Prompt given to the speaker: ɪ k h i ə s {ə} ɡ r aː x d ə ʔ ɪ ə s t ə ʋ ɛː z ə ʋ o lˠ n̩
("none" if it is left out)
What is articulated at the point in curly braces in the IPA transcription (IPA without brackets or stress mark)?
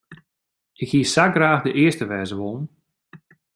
a